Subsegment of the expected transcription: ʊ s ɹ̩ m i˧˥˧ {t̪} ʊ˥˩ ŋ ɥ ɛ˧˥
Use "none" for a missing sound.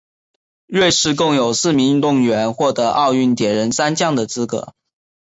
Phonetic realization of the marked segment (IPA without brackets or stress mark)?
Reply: t̪